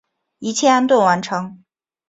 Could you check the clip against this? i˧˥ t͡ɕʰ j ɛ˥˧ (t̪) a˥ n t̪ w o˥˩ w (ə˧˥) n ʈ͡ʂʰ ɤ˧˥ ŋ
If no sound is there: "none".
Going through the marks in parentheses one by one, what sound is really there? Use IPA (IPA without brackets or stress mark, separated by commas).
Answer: none, a˧˥